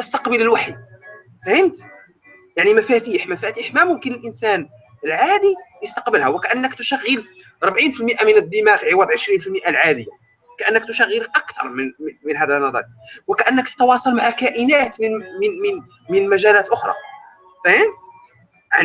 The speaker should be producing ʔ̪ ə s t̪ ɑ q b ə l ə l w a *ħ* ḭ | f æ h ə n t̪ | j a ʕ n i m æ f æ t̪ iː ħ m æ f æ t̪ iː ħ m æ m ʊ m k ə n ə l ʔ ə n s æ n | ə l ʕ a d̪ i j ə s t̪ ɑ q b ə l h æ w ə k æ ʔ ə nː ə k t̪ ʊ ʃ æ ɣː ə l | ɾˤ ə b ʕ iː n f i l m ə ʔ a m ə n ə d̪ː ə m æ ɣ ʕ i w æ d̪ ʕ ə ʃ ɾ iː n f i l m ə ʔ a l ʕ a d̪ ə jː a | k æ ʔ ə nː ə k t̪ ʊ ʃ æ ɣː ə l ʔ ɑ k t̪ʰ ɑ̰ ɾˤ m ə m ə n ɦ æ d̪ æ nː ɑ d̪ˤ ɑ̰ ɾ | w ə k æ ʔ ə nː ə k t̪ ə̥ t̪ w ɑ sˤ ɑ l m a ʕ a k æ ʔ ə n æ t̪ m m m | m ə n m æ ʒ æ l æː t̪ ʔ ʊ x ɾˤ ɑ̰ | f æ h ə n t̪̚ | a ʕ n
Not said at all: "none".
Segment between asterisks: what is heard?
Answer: ħ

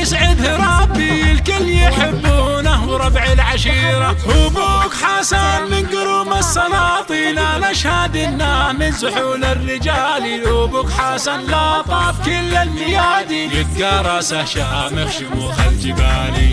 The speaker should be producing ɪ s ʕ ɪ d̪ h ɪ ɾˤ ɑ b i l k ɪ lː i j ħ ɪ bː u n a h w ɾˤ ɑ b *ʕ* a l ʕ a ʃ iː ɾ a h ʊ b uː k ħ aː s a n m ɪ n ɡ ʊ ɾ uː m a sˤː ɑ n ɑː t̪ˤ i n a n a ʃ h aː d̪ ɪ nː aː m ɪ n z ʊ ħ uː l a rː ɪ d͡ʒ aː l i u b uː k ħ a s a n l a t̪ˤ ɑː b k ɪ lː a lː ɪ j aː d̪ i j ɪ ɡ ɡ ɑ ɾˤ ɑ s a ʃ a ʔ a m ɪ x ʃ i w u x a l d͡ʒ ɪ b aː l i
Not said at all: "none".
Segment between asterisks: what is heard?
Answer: ʕ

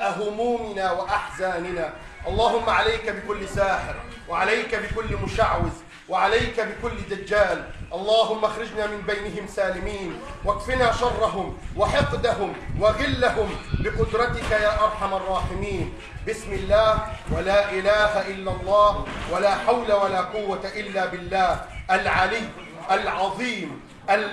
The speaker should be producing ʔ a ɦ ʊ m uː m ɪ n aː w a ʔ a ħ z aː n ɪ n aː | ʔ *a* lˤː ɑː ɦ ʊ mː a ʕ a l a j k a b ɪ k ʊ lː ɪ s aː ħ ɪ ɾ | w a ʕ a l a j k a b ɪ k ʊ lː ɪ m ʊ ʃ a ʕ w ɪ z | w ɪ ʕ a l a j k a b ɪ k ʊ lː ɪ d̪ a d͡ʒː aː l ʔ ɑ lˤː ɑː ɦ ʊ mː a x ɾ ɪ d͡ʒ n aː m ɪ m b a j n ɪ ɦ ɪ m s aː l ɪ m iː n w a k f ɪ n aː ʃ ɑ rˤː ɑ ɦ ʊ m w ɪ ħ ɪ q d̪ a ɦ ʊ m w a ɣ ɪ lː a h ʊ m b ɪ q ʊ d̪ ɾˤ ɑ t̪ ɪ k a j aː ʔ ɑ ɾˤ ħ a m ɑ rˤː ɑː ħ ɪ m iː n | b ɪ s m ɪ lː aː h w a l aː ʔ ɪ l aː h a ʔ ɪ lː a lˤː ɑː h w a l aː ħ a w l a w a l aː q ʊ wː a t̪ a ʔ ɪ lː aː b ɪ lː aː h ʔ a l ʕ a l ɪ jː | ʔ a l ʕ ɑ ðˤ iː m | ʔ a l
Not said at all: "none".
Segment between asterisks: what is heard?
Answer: ɑ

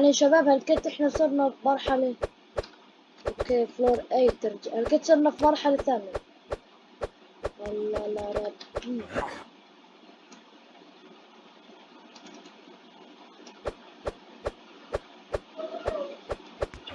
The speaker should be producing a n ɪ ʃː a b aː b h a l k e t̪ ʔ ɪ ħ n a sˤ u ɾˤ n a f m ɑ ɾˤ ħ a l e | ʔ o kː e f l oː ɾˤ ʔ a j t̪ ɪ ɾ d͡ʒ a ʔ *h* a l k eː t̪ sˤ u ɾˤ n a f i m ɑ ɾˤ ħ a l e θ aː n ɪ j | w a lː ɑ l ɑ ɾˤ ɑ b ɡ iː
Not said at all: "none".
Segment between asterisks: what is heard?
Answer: h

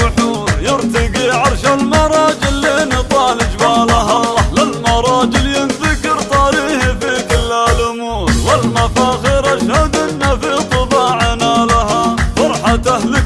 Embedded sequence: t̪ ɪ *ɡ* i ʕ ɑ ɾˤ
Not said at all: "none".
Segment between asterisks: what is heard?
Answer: ɡ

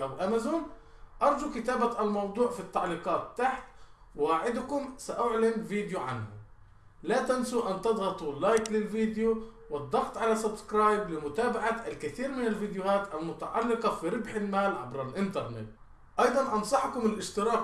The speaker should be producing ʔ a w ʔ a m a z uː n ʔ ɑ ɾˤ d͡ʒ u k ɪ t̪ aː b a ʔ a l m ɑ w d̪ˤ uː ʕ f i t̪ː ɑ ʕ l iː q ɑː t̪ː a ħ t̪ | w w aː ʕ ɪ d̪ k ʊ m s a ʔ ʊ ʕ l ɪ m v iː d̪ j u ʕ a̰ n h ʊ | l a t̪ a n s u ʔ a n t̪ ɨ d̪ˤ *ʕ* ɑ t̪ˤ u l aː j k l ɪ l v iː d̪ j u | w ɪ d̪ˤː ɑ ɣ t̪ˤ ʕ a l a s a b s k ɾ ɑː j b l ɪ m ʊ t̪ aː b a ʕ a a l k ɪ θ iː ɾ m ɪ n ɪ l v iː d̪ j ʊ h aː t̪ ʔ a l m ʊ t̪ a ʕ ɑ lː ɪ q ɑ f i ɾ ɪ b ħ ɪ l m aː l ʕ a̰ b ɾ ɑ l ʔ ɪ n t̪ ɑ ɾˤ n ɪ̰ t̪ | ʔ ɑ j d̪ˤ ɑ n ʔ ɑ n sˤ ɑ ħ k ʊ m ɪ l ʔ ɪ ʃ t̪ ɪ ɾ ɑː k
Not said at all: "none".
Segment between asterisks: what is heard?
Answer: ɣ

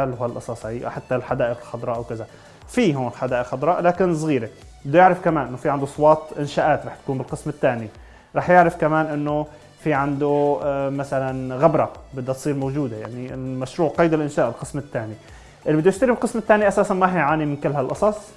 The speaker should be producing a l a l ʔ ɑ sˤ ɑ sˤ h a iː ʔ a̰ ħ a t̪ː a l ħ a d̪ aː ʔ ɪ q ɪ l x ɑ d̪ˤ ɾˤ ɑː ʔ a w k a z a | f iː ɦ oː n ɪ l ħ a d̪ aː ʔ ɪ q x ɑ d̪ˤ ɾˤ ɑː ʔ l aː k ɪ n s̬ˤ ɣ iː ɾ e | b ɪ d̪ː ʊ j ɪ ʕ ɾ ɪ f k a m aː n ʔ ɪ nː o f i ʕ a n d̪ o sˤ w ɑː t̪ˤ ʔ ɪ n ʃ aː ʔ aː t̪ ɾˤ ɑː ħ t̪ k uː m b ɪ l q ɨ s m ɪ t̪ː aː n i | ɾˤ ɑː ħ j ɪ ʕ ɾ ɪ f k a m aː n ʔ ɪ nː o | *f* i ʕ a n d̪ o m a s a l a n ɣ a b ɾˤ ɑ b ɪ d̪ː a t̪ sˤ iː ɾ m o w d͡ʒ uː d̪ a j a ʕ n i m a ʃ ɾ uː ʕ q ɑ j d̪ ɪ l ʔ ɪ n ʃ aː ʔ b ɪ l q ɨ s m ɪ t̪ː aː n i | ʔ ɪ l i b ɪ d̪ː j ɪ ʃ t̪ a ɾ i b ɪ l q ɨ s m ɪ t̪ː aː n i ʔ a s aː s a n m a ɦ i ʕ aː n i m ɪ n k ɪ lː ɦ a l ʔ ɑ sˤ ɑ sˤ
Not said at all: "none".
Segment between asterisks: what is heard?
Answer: f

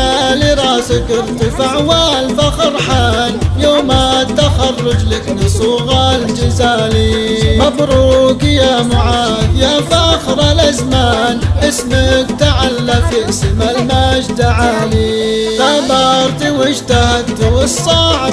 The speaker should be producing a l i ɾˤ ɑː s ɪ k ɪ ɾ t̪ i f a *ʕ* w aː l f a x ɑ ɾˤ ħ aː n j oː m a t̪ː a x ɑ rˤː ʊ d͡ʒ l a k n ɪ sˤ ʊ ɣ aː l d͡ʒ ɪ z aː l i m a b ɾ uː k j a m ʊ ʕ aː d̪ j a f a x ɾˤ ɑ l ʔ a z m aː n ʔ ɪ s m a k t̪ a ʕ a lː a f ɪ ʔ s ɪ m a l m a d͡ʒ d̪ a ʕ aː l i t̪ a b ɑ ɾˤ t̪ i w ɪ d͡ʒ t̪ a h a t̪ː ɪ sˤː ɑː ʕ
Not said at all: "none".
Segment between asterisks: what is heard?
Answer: ʕ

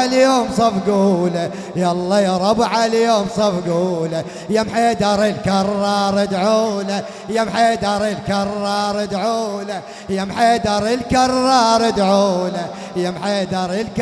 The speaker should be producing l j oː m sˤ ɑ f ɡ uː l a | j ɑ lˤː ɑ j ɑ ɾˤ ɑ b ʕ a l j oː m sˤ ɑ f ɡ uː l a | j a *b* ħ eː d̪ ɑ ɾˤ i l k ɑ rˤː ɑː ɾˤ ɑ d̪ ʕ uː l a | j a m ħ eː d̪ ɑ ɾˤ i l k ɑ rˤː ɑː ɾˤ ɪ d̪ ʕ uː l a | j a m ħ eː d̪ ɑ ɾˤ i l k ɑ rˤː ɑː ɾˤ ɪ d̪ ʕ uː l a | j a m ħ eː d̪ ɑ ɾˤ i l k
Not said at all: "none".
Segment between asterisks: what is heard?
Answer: m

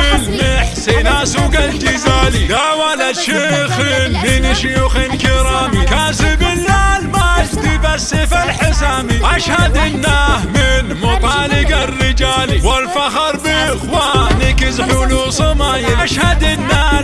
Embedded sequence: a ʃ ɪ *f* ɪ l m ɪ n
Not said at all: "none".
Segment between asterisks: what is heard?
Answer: x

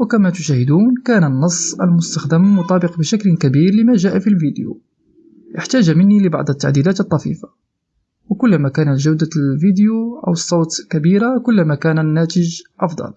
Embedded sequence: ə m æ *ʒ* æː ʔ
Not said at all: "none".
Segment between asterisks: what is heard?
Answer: ʒ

